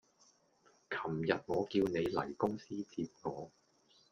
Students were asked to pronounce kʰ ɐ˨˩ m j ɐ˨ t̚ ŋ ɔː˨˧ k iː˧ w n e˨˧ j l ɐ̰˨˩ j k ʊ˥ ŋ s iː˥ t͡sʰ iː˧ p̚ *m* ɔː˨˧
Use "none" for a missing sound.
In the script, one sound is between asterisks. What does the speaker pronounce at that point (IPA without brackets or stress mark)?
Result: ŋ